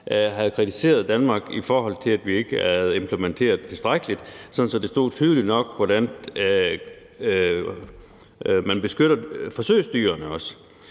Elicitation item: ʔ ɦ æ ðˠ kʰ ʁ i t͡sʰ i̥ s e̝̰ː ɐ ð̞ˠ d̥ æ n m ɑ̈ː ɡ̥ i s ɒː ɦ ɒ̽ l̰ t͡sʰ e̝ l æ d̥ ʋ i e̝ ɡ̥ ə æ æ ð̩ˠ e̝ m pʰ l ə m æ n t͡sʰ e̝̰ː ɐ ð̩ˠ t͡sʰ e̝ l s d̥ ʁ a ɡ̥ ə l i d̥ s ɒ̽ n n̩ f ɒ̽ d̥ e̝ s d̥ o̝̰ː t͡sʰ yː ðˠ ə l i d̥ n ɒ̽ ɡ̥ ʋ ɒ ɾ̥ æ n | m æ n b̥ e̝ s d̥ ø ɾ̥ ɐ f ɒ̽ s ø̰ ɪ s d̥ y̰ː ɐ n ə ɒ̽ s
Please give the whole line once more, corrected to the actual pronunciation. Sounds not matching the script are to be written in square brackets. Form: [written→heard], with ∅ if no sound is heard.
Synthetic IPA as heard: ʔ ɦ æ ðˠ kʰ ʁ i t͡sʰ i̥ s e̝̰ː ɐ ð̞ˠ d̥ æ n m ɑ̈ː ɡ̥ i [s→f] ɒː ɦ ɒ̽ l̰ t͡sʰ e̝ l æ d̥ ʋ i e̝ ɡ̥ ə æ æ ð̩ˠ e̝ m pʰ l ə m [æ→e] n t͡sʰ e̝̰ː ɐ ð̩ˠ t͡sʰ e̝ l s d̥ ʁ a ɡ̥ ə l i d̥ s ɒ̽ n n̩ [f→s] ɒ̽ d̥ e̝ s d̥ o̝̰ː t͡sʰ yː ðˠ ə l i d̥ n ɒ̽ ɡ̥ ʋ ɒ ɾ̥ æ n | m æ n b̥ e̝ s [d̥→ɡ̥] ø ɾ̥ ɐ f ɒ̽ s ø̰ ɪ s d̥ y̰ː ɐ n ə ɒ̽ s